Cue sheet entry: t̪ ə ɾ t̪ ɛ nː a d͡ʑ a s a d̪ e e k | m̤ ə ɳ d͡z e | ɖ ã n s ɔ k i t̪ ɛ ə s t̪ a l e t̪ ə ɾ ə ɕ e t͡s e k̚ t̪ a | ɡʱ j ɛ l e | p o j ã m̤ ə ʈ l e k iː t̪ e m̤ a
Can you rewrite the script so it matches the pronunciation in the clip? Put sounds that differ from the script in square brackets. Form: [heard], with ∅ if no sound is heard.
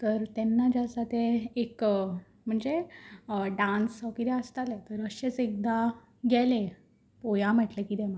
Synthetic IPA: t̪ ə ɾ t̪ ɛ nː a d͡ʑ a s a [t̪] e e k | m̤ ə ɳ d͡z e | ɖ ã n s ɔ k i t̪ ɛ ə s t̪ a l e t̪ ə ɾ ə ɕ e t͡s e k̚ [d̪] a | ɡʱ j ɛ l e | p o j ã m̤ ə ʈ l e k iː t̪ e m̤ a